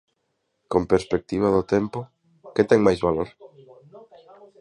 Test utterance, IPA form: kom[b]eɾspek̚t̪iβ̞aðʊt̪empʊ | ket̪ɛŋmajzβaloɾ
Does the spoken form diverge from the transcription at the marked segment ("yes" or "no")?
yes